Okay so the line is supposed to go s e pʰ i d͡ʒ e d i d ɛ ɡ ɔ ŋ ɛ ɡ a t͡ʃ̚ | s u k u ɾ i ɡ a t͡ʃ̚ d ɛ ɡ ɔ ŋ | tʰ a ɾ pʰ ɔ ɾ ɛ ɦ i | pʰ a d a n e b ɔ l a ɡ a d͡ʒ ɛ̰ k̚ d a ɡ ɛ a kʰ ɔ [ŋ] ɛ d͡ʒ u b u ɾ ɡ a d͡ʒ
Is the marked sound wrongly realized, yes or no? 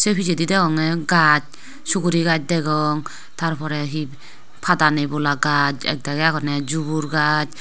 yes